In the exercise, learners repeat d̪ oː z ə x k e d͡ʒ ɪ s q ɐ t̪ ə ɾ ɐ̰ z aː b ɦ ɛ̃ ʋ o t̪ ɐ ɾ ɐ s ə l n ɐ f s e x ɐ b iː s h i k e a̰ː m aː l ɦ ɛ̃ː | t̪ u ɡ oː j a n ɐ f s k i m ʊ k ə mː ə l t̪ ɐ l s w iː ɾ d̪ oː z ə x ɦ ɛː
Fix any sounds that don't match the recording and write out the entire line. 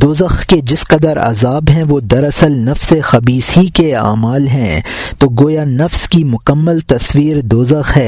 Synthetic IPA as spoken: d̪ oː z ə x k e d͡ʒ ɪ s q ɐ d̪ ə ɾ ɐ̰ z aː b ɦ ɛ̃ ʋ o d̪ ɐ ɾ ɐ s ə l n ɐ f s e x ɐ b iː s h i k e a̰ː m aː l ɦ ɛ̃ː | t̪ o ɡ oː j a n ɐ f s k i m ʊ k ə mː ə l t̪ ɐ s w iː ɾ d̪ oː z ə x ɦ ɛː